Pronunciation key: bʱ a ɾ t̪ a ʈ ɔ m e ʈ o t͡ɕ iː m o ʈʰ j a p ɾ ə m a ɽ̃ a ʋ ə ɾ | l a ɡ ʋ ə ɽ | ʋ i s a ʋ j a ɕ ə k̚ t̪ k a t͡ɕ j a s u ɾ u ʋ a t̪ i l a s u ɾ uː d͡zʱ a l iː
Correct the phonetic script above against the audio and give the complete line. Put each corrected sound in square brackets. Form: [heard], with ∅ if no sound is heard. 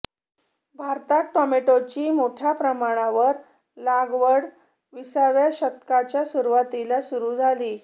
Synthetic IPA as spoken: bʱ a ɾ t̪ a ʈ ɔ m e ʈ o t͡ɕ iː m o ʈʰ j a p ɾ ə m a ɽ̃ a ʋ ə ɾ | l a ɡ ʋ ə ɽ | ʋ i s a ʋ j a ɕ ə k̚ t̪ k a t͡ɕ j a s u ɾ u ʋ a t̪ i l a s u ɾ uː d͡zʱ a l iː